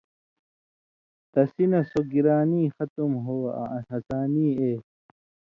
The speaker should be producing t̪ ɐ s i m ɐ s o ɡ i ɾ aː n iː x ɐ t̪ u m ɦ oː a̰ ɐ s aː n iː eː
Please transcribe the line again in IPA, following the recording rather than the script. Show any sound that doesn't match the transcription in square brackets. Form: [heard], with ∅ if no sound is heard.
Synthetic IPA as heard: t̪ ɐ s i [n] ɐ s o ɡ i ɾ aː n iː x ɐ t̪ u m ɦ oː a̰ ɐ s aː n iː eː